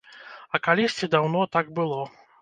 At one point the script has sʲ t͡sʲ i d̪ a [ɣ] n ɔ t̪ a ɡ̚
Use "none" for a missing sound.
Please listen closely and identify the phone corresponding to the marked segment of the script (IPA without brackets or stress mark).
w